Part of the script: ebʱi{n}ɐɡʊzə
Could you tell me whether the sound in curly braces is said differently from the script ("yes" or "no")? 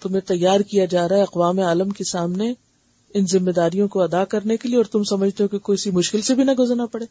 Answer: no